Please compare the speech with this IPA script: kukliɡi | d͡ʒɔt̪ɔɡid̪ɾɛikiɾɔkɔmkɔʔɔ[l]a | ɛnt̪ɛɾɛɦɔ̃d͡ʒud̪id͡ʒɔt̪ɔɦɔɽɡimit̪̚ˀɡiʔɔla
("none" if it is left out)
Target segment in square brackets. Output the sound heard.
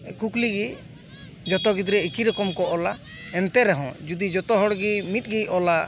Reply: l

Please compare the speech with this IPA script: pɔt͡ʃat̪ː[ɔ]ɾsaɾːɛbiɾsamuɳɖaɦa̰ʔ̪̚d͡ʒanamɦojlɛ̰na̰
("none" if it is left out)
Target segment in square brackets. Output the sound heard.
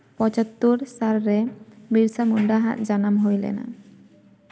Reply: u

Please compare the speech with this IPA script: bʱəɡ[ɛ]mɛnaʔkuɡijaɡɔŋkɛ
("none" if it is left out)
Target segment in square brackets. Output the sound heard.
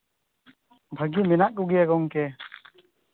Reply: i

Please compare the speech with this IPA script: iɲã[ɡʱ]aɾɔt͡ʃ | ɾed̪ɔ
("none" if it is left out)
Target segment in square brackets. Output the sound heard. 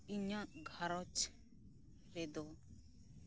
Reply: ɡʱ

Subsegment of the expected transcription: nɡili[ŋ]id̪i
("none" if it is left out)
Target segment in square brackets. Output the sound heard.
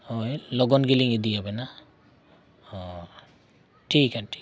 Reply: ŋ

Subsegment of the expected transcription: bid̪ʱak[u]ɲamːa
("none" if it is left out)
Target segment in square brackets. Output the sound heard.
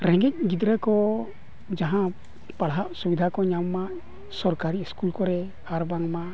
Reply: ɔ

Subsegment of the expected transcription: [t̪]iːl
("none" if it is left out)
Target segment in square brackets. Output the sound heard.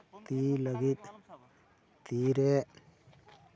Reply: t̪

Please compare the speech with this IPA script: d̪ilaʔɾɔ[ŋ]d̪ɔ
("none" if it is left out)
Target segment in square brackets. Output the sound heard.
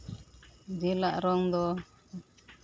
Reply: ŋ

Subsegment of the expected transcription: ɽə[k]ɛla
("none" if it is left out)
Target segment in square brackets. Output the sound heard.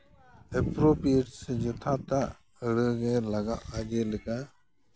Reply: ɡ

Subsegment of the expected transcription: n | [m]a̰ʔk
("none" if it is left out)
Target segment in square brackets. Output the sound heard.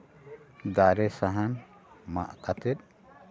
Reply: m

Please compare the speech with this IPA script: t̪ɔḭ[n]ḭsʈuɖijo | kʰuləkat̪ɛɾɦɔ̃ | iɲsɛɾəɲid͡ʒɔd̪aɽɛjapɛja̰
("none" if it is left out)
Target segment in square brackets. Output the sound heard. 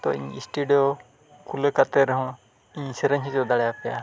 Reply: ɲ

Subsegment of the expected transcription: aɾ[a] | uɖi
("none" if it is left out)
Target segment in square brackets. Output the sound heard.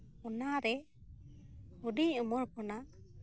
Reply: ɛ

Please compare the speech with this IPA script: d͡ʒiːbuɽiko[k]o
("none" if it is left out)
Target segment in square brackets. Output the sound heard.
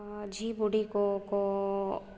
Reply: k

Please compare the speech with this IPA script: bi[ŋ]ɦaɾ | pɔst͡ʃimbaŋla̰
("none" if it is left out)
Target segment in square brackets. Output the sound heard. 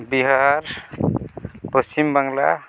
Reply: none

